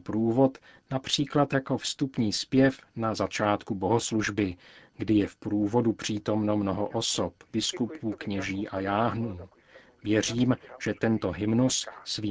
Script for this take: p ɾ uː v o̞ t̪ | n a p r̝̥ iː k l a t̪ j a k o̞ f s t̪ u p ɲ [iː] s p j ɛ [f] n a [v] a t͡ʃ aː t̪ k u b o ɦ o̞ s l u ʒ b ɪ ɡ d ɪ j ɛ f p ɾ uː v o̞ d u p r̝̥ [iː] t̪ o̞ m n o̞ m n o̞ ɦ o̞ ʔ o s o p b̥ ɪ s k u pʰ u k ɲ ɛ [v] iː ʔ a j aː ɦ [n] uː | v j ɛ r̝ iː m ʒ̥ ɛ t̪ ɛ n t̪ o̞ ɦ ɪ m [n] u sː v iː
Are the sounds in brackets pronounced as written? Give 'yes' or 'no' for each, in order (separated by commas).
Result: yes, yes, no, yes, no, yes, yes